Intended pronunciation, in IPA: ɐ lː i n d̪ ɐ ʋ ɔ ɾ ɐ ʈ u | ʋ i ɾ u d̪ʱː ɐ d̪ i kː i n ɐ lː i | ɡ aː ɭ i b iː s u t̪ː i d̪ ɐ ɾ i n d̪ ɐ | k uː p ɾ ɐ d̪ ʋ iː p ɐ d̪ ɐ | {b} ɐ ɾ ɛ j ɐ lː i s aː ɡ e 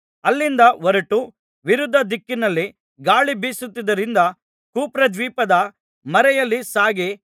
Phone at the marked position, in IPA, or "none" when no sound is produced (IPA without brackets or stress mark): m